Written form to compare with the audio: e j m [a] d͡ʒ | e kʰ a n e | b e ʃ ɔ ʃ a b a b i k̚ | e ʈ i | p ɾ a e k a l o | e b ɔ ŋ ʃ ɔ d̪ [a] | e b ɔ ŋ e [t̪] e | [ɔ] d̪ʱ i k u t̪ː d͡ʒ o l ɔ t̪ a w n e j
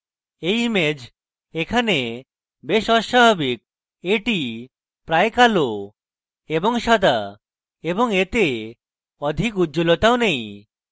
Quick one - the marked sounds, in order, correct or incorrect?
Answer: incorrect: e, correct, correct, correct

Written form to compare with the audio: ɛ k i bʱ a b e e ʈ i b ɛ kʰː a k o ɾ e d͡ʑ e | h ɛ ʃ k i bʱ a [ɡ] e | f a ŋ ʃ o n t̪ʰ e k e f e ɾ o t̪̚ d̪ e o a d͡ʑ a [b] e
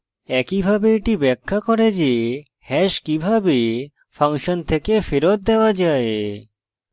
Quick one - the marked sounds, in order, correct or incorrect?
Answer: incorrect: b, incorrect: none

